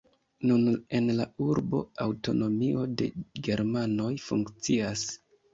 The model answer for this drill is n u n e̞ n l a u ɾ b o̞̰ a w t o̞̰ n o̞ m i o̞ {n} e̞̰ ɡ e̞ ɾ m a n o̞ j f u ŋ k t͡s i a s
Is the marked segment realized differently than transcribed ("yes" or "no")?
yes